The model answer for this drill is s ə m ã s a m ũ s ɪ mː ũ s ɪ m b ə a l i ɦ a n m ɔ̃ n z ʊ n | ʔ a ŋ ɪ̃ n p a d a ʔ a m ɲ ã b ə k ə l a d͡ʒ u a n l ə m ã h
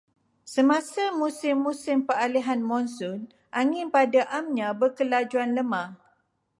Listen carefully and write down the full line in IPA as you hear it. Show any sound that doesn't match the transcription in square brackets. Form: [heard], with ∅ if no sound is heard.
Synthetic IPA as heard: s ə m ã s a m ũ s ɪ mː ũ s ɪ m [p] ə a l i ɦ a n m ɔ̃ n [s] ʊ n | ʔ a ŋ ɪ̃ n p a d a ʔ a m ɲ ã b ə k ə l a d͡ʒ u a n l ə m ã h